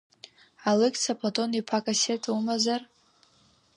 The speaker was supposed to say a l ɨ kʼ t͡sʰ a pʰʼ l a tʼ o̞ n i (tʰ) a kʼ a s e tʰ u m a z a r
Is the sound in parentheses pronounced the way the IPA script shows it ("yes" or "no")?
no